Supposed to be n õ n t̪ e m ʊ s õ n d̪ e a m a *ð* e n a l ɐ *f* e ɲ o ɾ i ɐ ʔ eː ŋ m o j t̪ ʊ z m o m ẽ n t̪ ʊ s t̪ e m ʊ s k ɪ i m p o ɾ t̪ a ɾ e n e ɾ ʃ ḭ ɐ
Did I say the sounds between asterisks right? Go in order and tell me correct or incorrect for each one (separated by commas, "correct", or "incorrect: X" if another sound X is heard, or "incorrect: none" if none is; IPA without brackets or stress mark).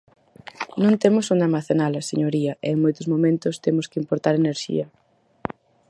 incorrect: θ, incorrect: s